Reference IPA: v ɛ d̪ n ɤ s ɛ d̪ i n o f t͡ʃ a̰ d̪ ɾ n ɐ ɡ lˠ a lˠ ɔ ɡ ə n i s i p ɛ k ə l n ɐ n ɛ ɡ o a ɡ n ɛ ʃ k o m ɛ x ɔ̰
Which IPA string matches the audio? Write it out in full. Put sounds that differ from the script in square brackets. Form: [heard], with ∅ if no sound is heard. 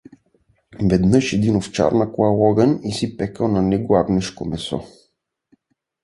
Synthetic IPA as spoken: v ɛ d̪ n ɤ [ʃ] ɛ d̪ i n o f t͡ʃ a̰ [∅] ɾ n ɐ [k] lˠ a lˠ ɔ ɡ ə n i s i p ɛ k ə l n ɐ n ɛ ɡ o a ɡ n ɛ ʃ k o m ɛ [s] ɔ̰

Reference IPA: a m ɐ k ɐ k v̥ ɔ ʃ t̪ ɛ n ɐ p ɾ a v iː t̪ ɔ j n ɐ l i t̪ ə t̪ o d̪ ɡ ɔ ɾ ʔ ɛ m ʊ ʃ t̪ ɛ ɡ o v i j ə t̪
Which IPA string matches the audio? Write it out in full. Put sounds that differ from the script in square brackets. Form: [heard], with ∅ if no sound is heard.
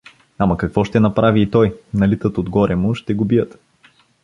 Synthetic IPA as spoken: a m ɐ k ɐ k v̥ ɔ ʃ t̪ ɛ n ɐ p ɾ a v iː t̪ ɔ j n ɐ l i t̪ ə t̪ o d̪ ɡ ɔ ɾ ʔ ɛ m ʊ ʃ t̪ ɛ ɡ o [b] i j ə t̪

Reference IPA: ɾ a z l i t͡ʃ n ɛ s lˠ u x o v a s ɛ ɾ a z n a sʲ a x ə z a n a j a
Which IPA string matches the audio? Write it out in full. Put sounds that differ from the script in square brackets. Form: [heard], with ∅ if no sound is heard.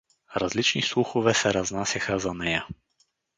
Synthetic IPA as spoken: ɾ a z l i t͡ʃ n [i] s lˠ u x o v [ɛ] s ɛ ɾ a z n a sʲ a x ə z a n [ɛ] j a

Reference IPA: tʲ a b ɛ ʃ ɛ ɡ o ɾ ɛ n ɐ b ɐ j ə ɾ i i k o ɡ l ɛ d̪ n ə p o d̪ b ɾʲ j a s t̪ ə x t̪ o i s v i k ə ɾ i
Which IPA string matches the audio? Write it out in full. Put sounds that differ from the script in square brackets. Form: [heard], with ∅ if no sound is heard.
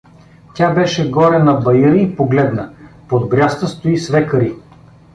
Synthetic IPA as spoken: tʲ a b ɛ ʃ ɛ ɡ [ɔ] ɾ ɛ n ɐ b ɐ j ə ɾ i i [p] o ɡ l ɛ d̪ n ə p o d̪ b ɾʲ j a s t̪ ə [s] t̪ o i s v [ɛ] k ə ɾ i

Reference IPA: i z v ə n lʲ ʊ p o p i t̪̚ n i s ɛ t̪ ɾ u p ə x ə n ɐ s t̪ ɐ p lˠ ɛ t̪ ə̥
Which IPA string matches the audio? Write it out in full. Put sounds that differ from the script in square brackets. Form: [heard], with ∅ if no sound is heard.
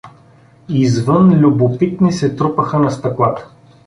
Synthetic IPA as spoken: i z v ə n lʲ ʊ [b] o p i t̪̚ n i s ɛ t̪ ɾ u p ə x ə n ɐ s t̪ ɐ [k] lˠ [a] t̪ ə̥

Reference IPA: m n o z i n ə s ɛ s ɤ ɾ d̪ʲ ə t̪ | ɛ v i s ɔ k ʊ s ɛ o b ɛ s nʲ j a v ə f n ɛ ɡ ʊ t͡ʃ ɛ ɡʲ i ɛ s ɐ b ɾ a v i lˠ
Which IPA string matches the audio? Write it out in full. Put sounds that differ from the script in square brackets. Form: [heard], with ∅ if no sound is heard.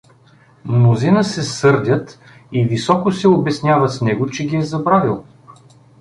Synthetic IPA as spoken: m n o z i n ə s ɛ s ɤ ɾ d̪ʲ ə t̪ | [i] v i s ɔ k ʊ s ɛ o b ɛ s nʲ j a v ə [s] n ɛ ɡ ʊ t͡ʃ ɛ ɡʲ i ɛ [z] ɐ b ɾ a v i lˠ

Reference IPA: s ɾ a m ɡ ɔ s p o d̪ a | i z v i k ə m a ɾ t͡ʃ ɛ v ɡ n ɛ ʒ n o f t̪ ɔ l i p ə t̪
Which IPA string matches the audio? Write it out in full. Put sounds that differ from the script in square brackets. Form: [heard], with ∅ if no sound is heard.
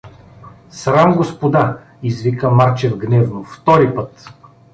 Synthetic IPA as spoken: s ɾ a m ɡ [o] s p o d̪ a | i z v i k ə m a ɾ t͡ʃ ɛ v ɡ n ɛ [v] n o f t̪ ɔ [ɾ] i p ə t̪

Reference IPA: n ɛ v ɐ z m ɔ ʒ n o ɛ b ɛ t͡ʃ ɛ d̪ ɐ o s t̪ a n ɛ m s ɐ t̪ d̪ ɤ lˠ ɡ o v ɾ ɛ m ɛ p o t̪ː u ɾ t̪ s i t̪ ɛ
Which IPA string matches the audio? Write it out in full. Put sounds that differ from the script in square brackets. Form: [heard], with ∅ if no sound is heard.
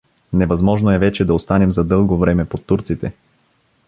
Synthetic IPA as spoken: n ɛ v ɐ z m ɔ ʒ n o ɛ [v] ɛ t͡ʃ ɛ d̪ ɐ o s t̪ a n ɛ m [z] ɐ [∅] d̪ ɤ lˠ ɡ o v ɾ ɛ m ɛ p o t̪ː u ɾ t̪ s i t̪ ɛ

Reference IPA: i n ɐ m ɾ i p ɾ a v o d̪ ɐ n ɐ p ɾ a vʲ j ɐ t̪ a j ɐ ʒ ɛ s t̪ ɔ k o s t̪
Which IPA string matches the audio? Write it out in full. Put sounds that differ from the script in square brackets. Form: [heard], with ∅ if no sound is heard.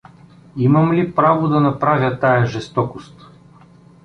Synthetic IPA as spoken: i [m] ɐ m [l] i p ɾ a v o d̪ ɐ n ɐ p ɾ a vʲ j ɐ t̪ a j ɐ ʒ ɛ s t̪ ɔ k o s t̪

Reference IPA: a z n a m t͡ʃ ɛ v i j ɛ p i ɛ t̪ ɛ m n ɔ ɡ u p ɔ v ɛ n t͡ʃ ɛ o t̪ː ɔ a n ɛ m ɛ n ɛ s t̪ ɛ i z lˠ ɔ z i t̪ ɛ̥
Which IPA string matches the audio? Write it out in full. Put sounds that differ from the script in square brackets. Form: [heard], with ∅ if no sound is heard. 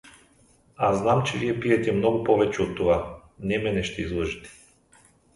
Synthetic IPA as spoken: a z n a m t͡ʃ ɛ v i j ɛ p i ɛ t̪ ɛ m n ɔ ɡ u p ɔ v ɛ [∅] t͡ʃ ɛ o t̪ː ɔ a n ɛ m ɛ n ɛ [ʃ] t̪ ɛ i z lˠ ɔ [ʒ] i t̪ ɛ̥

